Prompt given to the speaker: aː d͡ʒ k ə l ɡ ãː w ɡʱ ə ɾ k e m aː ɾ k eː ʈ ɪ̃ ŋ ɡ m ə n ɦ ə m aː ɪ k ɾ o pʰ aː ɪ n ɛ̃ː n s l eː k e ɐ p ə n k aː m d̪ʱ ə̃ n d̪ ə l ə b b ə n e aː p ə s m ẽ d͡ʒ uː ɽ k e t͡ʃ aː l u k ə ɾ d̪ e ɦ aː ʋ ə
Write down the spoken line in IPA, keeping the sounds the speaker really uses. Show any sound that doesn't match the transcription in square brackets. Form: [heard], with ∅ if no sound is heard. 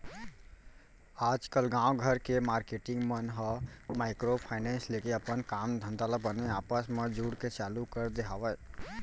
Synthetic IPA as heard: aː d͡ʒ k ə l ɡ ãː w ɡʱ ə ɾ k e m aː ɾ k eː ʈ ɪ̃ ŋ ɡ m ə n ɦ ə m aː ɪ k ɾ o pʰ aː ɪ n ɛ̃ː n s l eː k e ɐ p ə n k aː m d̪ʱ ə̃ n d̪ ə l ə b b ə n e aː p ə s m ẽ d͡ʒ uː ɽ k e t͡ʃ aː l u k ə ɾ d̪ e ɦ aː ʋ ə